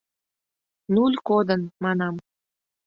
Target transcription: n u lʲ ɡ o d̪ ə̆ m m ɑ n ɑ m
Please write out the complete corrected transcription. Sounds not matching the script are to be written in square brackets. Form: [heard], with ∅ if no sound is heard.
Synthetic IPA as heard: n u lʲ [k] o d̪ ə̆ [n] m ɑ n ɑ m